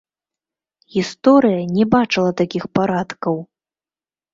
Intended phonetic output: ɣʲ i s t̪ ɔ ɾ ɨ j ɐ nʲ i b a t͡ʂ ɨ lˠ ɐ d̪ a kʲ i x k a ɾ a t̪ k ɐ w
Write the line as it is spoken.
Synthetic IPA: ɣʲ i s t̪ ɔ ɾ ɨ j ɐ nʲ ɛ b a t͡ʂ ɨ lˠ ɐ t̪ a kʲ i x p a ɾ a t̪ k ɐ w

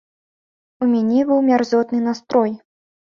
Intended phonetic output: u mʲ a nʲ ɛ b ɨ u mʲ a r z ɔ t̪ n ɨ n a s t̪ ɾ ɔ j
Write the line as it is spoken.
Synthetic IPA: u mʲ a nʲ ɛ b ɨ w mʲ a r z ɔ t̪ n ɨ n a s t̪ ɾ ɔ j

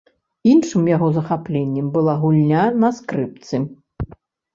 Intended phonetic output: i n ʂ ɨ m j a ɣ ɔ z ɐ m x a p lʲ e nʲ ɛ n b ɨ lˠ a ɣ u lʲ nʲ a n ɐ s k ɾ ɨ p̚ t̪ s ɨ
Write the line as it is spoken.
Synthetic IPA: i n ʂ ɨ m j a ɣ ɔ z ɐ x a p lʲ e nʲː ɛ m b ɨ lˠ a ɣ u lʲ nʲ a n ɐ s k ɾ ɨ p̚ t̪ s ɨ

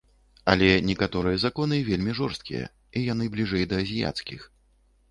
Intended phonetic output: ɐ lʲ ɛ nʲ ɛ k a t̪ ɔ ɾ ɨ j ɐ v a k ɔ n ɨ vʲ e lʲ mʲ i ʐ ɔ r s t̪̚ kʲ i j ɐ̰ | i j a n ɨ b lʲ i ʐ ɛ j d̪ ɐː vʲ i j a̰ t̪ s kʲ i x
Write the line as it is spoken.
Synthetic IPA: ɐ lʲ ɛ nʲ ɛ k a t̪ ɔ ɾ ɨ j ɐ z a k ɔ n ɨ vʲ e lʲ mʲ i ʐ ɔ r s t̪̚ kʲ i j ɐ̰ | i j a n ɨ b lʲ i ʐ ɛ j d̪ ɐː zʲ i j a̰ t̪ s kʲ i x

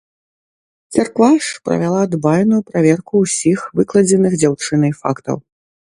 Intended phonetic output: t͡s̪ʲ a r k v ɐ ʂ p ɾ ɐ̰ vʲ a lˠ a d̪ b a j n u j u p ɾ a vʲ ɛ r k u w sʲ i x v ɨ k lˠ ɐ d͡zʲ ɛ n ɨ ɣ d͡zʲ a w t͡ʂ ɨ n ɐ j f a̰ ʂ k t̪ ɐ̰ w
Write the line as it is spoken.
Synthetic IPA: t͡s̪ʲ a r k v a ʂ p ɾ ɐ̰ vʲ a lˠ a d̪ b a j n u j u p ɾ a vʲ ɛ r k u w sʲ i x v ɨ k lˠ ɐ d͡zʲ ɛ n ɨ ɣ d͡zʲ a w t͡ʂ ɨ n ɐ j f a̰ k t̪ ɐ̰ w

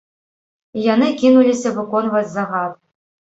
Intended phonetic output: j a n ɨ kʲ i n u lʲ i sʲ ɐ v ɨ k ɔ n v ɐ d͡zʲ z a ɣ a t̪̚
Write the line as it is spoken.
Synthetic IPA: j a n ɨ kʲ i n u lʲ i sʲ ɐ v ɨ k ɔ n v ɐ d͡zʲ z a ɣ a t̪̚

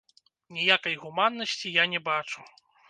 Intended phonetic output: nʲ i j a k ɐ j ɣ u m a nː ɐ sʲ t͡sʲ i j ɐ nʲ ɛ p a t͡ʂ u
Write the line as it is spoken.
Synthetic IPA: nʲ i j a k ɐ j ɣ u m a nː ɐ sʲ t͡sʲ i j a nʲ ɛ b a t͡ʂ u

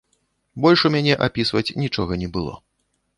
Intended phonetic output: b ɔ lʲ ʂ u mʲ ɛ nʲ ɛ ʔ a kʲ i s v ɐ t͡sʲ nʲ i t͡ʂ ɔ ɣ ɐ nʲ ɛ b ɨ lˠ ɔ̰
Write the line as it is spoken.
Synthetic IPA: b ɔ lʲ ʂ u mʲ a nʲ ɛ ʔ a pʲ i s v ɐ t͡sʲ nʲ i t͡ʂ ɔ ɣ ɐ nʲ ɛ b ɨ lˠ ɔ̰

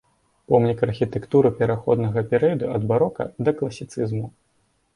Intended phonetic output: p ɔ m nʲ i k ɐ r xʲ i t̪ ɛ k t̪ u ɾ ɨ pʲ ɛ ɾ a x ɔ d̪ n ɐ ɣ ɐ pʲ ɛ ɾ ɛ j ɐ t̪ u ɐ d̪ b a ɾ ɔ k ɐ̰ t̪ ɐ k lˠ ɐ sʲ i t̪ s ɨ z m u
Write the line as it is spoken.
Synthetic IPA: p ɔ m nʲ i k ɐ r xʲ i t̪ ɛ k t̪ u ɾ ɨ pʲ ɛ ɾ a x ɔ d̪ n ɐ ɣ ɐ pʲ ɛ ɾ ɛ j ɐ d̪ u ɐ d̪ b a ɾ ɔ k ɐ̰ d̪ ɐ k lˠ ɐ sʲ i t̪ s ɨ z m u

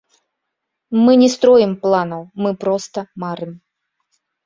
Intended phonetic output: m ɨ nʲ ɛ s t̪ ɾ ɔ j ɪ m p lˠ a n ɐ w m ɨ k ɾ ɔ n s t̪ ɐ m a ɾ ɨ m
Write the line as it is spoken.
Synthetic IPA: m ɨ nʲ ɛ s t̪ ɾ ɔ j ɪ m p lˠ a n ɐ w m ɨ p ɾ ɔ s t̪ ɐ m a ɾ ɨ m

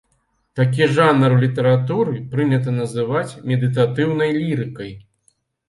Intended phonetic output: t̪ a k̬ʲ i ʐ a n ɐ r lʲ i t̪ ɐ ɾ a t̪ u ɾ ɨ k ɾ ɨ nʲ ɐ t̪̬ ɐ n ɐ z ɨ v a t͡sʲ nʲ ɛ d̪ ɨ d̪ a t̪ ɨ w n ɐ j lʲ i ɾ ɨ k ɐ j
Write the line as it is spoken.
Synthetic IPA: t̪ a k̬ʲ i ʐ a n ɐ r lʲ i t̪ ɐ ɾ a t̪ u ɾ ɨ p ɾ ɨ nʲ ɐ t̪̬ ɐ n ɐ z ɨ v a t͡sʲ mʲ ɛ d̪ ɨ t̪ a t̪ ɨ w n ɐ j lʲ i ɾ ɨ k ɐ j

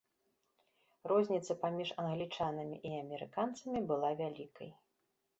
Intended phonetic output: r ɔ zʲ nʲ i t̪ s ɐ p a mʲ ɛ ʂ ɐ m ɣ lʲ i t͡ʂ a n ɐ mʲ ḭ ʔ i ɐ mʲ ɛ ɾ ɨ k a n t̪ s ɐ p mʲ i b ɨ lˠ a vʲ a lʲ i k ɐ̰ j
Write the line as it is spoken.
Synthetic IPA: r ɔ zʲ nʲ i t̪ s ɐ p a mʲ i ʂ ɐ n ɣ lʲ i t͡ʂ a n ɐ mʲ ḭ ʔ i ɐ mʲ ɛ ɾ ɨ k a n t̪ s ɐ mʲ i b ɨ lˠ a vʲ a lʲ i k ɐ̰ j

